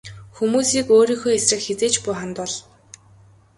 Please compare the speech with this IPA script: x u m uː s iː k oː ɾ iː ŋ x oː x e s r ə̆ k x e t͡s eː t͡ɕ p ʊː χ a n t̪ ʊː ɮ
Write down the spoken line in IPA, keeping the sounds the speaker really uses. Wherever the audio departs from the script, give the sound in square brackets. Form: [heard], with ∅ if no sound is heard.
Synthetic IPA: x u m uː s iː k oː ɾ iː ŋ x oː [∅] e s r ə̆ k x e t͡s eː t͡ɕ p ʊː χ a n t̪ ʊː ɮ